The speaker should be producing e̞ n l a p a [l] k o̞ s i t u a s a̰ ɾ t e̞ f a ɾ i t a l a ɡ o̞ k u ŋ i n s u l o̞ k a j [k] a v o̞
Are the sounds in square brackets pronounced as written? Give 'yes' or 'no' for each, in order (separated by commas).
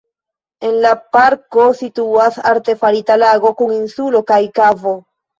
no, yes